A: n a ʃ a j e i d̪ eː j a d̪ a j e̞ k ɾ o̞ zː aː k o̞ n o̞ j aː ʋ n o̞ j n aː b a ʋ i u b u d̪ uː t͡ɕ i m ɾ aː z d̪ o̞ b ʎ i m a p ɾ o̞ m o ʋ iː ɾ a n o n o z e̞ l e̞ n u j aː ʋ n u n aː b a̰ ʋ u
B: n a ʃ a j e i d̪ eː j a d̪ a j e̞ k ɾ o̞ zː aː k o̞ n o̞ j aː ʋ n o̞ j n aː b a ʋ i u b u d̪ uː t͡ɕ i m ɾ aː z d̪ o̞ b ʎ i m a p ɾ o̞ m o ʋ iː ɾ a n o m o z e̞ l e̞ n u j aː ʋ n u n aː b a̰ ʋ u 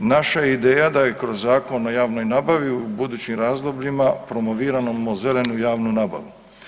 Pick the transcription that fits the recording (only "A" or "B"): B